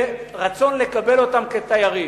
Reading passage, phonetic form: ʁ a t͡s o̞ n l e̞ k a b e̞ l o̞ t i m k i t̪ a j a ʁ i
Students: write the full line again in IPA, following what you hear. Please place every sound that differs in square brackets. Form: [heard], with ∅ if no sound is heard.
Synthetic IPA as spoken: ʁ a t͡s o̞ n l e̞ k a b e̞ l o̞ t [a] m k [e] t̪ a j a ʁ i